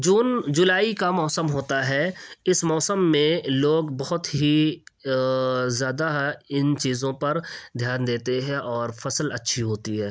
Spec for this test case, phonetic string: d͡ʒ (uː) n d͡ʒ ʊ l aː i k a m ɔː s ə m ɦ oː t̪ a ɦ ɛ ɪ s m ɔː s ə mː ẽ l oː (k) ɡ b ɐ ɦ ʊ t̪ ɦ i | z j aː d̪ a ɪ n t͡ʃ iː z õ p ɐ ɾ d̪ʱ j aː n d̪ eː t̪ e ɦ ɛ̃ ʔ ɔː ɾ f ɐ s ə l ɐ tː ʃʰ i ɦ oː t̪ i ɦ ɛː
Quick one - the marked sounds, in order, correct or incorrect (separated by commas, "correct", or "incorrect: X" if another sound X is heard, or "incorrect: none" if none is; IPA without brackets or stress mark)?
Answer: correct, incorrect: none